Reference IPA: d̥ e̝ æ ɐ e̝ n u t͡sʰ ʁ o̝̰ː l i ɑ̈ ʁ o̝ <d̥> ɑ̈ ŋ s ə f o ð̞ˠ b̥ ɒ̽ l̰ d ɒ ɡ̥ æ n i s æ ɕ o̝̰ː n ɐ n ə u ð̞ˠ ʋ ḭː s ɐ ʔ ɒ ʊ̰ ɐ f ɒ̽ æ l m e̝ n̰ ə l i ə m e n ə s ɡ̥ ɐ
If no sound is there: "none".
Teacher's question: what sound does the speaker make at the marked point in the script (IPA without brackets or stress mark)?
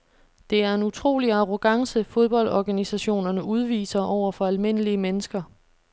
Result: ɡ̥